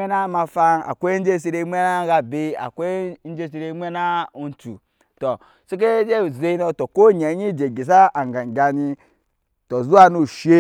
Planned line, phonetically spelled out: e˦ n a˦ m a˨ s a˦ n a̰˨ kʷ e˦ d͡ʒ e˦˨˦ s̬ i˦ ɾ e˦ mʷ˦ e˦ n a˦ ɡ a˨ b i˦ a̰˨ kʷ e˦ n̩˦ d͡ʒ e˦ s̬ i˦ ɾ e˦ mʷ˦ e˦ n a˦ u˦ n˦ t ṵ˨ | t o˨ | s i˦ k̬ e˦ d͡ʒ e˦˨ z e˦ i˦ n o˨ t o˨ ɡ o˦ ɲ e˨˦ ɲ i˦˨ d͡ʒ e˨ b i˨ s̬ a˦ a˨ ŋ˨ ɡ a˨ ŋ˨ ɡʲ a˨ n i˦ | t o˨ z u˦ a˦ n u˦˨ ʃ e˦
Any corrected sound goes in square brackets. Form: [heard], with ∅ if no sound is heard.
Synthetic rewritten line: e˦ n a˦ m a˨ [f] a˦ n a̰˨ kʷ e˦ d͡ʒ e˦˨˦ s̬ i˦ ɾ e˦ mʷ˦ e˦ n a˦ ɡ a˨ b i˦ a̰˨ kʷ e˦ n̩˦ d͡ʒ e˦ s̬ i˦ ɾ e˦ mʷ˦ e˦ n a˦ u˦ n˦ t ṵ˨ | t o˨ | s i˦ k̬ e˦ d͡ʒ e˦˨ z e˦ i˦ n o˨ t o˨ [k] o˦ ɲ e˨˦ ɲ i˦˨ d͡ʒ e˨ [ɡ] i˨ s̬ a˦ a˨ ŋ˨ ɡ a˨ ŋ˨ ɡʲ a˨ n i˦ | t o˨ z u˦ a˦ n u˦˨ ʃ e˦